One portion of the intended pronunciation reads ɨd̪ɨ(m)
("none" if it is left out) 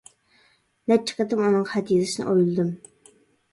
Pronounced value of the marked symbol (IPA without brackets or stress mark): m